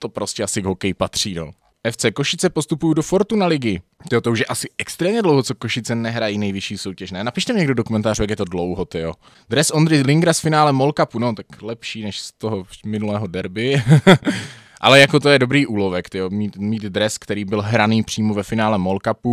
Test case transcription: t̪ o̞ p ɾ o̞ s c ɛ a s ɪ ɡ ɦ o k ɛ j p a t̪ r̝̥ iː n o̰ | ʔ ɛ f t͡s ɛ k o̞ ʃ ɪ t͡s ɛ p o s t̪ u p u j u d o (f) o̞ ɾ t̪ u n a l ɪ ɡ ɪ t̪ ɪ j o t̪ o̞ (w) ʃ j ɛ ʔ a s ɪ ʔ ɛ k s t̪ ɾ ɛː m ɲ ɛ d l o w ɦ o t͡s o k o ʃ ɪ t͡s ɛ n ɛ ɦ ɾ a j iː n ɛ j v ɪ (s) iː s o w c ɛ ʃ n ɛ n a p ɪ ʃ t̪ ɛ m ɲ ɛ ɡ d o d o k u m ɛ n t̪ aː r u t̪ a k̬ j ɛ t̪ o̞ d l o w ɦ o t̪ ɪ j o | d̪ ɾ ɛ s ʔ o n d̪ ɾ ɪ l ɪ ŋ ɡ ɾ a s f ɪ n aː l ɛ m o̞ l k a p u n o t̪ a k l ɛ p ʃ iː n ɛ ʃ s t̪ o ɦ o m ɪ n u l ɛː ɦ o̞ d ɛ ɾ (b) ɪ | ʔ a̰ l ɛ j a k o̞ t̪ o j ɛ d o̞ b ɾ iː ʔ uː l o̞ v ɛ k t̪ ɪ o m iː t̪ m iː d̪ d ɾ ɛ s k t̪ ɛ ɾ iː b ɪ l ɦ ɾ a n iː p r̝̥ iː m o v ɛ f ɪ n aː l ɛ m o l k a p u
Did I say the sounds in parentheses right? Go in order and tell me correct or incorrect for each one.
correct, incorrect: u, incorrect: ʃ, correct

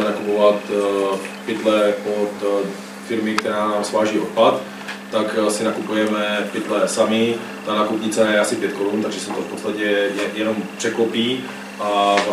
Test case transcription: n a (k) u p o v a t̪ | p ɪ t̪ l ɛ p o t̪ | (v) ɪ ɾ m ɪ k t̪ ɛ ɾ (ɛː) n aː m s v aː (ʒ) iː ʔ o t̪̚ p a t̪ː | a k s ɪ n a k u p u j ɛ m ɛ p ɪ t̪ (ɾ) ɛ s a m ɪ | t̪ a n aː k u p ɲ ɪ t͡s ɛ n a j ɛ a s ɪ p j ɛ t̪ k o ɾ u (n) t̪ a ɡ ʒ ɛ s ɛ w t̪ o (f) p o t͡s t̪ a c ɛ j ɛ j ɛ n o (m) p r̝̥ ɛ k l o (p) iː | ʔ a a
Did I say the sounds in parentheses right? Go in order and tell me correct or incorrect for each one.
correct, incorrect: f, incorrect: aː, correct, incorrect: l, correct, correct, correct, correct

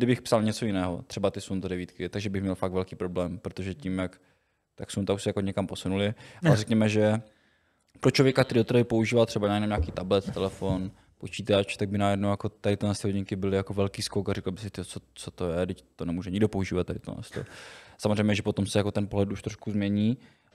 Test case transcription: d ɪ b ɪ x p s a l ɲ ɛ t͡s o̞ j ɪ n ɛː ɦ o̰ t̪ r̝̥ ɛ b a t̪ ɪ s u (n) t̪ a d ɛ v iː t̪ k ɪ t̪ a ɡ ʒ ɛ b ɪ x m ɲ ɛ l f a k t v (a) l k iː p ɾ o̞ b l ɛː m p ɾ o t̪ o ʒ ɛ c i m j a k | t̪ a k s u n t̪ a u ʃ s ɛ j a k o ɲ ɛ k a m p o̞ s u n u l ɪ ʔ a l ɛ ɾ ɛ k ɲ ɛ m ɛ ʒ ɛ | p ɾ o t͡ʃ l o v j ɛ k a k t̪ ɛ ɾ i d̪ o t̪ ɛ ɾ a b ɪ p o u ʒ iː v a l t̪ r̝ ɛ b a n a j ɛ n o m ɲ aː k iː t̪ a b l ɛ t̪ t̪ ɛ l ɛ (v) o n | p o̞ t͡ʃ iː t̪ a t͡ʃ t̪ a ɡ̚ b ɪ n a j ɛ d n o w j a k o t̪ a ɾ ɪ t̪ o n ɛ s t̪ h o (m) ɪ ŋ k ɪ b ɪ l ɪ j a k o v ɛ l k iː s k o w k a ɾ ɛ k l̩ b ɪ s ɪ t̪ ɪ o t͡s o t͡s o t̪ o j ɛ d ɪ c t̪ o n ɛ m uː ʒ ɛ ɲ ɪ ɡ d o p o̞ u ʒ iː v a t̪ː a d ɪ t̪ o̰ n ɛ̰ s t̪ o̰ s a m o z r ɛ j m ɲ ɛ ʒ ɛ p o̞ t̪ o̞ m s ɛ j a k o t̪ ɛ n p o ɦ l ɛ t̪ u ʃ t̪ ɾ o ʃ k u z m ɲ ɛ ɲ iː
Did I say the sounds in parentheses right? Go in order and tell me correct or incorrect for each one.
correct, incorrect: ɛ, incorrect: f, incorrect: ɲ

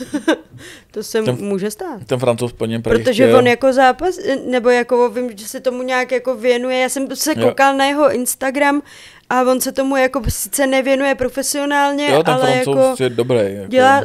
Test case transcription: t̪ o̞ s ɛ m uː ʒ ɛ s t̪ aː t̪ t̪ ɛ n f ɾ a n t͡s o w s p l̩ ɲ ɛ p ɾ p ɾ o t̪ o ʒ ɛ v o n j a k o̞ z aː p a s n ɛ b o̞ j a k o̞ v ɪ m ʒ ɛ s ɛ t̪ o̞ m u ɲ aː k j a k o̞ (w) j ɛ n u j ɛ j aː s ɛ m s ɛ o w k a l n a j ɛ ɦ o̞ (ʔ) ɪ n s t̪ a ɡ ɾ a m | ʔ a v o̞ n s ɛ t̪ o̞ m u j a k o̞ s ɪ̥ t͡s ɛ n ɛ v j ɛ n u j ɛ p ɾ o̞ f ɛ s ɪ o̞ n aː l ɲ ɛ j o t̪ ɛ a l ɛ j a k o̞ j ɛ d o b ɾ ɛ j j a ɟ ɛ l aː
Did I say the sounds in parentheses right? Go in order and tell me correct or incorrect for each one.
incorrect: v, correct

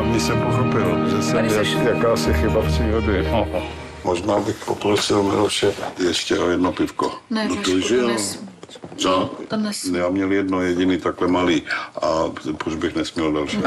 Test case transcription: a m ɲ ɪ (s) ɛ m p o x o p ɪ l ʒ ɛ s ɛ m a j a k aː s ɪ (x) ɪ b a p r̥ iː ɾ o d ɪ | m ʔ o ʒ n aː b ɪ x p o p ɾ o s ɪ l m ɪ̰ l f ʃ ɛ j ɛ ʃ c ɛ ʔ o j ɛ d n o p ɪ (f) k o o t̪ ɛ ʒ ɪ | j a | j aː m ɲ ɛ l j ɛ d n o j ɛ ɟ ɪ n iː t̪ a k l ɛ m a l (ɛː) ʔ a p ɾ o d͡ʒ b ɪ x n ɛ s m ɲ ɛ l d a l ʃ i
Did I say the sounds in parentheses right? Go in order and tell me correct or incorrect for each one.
correct, correct, correct, incorrect: iː

